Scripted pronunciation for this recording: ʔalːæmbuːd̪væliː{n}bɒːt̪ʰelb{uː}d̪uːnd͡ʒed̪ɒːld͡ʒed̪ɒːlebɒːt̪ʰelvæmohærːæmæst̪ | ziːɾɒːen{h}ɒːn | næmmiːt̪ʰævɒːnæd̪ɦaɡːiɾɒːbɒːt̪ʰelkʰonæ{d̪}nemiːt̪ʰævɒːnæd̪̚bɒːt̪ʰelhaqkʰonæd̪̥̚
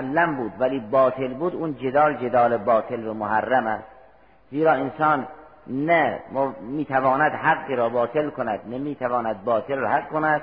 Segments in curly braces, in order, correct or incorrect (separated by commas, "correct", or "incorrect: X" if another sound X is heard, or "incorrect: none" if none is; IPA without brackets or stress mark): incorrect: none, correct, incorrect: s, correct